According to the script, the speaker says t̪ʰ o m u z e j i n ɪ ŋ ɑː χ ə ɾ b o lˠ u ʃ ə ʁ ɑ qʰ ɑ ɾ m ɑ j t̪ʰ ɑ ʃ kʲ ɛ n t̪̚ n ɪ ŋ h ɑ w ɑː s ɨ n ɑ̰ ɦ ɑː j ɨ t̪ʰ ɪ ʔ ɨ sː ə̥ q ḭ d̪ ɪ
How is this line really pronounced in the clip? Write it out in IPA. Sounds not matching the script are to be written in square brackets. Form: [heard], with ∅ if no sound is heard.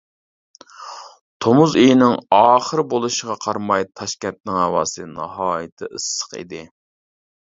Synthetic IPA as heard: t̪ʰ o m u z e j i n ɪ ŋ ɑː χ ə ɾ b o lˠ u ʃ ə ʁ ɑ qʰ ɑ ɾ m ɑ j t̪ʰ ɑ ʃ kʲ ɛ n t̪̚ n ɪ ŋ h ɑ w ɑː s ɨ n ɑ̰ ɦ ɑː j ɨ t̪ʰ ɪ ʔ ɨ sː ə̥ q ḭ d̪ ɪ